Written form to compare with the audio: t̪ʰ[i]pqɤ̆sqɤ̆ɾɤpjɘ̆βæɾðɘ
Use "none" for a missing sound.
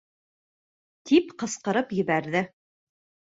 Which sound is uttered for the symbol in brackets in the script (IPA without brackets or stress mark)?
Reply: i